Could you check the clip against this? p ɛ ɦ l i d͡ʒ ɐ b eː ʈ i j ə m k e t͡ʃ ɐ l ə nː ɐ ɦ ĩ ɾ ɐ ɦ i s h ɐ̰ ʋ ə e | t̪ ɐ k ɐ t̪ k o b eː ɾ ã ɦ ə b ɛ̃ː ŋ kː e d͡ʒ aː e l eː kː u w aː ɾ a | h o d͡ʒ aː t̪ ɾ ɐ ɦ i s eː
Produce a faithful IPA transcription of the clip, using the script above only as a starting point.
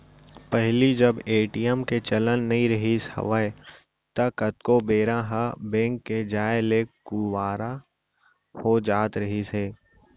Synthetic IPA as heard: p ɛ ɦ l i d͡ʒ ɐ b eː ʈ i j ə m k e t͡ʃ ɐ l ə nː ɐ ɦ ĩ ɾ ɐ ɦ i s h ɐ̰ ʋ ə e | t̪ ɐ k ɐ t̪ k o b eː ɾ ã ɦ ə b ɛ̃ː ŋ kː e d͡ʒ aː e l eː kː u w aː ɾ a | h o d͡ʒ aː t̪ ɾ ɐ ɦ i s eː